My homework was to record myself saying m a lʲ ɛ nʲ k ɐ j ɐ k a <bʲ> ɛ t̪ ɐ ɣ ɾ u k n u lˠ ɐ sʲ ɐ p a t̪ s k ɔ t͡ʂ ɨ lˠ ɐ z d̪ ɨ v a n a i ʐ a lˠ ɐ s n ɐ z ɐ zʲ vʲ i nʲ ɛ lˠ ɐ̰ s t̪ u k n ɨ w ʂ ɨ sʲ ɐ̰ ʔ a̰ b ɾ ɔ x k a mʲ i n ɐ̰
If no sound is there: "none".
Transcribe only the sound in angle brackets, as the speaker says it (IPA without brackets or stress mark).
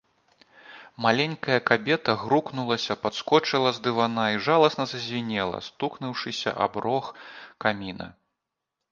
bʲ